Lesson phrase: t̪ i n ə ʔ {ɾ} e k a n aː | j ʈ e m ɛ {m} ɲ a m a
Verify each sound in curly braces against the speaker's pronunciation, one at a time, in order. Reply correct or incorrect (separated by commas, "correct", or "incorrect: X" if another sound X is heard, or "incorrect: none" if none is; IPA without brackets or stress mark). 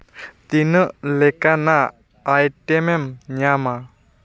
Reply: incorrect: l, correct